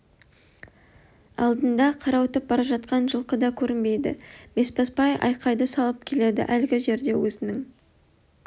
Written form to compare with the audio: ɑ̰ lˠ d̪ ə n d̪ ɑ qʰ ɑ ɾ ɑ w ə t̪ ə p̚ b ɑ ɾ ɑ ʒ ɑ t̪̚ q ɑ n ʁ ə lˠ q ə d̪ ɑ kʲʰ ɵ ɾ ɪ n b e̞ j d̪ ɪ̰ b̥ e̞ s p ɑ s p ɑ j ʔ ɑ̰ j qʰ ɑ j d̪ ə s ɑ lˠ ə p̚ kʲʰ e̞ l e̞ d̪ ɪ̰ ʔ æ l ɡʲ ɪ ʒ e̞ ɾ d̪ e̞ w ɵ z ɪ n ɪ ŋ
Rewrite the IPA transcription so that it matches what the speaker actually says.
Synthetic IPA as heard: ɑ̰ lˠ d̪ ə n d̪ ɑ qʰ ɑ ɾ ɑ w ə t̪ ə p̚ b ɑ ɾ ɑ ʒ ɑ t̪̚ q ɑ n ʒ ə lˠ q ə d̪ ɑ kʲʰ ɵ ɾ ɪ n b e̞ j d̪ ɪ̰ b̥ e̞ s p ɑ s p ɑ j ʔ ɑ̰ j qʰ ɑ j d̪ ə s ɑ lˠ ə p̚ kʲʰ e̞ l e̞ d̪ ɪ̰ ʔ æ l ɡʲ ɪ ʒ e̞ ɾ d̪ e̞ w ɵ z ɪ n ɪ ŋ